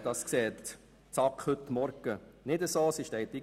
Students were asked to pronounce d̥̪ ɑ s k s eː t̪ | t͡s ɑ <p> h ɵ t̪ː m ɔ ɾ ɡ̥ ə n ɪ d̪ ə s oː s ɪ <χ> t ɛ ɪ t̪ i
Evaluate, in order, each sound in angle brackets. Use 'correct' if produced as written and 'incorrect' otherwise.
incorrect: k, incorrect: ʃ

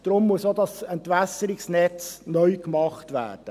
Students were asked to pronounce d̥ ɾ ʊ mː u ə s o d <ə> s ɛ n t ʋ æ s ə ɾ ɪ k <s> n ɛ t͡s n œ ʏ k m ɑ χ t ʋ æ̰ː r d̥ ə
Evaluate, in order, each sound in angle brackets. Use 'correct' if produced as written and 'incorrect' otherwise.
incorrect: ɑ, correct

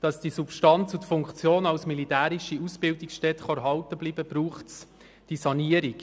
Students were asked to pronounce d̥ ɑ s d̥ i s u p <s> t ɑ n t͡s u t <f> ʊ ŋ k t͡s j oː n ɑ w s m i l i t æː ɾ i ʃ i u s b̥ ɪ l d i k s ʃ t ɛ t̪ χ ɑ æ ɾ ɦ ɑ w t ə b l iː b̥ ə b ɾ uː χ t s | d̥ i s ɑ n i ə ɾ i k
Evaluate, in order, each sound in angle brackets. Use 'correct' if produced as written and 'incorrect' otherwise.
incorrect: ʃ, correct

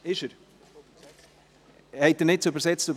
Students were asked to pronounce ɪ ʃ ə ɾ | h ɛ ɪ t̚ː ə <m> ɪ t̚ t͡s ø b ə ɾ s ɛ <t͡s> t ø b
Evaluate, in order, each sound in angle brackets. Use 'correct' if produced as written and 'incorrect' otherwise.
incorrect: n, correct

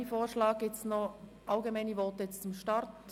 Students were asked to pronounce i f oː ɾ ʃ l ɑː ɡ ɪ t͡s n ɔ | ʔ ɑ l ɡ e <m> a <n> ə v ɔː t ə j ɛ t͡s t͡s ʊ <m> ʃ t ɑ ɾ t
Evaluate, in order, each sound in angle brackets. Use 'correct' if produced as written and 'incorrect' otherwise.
correct, correct, correct

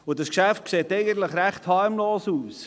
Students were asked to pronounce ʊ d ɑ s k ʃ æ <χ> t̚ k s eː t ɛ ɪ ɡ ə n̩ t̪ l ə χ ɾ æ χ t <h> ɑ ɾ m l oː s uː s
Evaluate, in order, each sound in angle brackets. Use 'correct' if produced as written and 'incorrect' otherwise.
incorrect: f, correct

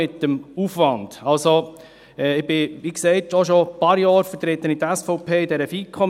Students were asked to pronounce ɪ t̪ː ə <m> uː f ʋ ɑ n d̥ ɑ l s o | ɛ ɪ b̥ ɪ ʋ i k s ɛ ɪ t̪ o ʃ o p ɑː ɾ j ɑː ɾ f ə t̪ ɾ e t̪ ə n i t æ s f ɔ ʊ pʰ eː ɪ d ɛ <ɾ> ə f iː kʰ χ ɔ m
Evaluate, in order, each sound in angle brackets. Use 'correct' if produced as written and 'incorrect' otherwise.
correct, correct

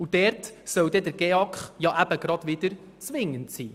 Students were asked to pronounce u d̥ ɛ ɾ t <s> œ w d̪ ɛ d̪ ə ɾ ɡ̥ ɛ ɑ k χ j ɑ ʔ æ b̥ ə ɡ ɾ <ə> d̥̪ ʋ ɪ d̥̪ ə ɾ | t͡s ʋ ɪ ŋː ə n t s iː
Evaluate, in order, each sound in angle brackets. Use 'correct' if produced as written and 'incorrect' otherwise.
correct, incorrect: ɑ

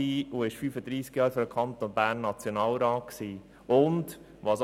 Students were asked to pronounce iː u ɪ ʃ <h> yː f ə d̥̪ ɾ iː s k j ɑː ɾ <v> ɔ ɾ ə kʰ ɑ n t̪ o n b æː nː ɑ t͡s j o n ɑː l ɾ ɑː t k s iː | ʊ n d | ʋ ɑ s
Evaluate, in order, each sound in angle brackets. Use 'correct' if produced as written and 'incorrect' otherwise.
incorrect: f, incorrect: f

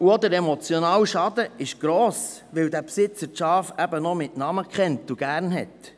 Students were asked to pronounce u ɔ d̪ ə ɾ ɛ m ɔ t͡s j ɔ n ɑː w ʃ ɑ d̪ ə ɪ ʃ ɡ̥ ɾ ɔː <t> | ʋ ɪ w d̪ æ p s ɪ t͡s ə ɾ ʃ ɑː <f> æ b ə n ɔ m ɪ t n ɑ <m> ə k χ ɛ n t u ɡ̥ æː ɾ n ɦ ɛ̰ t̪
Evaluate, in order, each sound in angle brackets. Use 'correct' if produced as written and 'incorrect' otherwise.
incorrect: s, correct, correct

